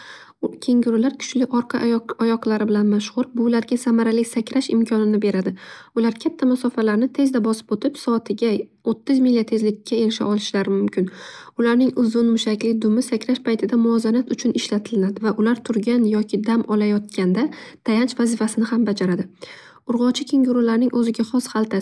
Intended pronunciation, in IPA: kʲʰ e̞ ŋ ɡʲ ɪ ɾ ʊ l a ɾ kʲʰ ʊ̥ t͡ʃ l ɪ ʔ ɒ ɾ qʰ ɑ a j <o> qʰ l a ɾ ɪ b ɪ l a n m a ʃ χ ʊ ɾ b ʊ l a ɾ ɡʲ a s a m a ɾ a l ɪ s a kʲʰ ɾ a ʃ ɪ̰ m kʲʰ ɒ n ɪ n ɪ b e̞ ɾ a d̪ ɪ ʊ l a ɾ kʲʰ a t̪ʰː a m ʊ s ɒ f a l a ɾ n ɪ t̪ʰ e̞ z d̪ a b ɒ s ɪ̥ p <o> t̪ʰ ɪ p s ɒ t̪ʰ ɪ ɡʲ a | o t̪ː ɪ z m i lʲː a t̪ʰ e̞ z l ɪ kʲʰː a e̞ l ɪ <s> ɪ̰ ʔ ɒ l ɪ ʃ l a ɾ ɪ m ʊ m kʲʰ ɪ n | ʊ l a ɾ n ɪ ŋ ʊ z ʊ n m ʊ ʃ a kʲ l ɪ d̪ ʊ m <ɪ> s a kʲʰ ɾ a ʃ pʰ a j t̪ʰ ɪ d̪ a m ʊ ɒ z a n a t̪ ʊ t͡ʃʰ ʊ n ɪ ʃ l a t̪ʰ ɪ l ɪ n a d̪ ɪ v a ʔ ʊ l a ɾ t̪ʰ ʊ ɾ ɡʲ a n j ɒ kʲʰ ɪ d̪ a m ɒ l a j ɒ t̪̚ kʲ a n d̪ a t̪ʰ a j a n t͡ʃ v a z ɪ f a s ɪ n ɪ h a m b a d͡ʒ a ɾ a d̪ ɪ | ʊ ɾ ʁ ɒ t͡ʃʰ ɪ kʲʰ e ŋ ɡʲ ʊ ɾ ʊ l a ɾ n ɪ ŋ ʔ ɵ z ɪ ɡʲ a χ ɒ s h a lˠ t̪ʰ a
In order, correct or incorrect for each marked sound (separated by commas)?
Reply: incorrect, correct, incorrect, correct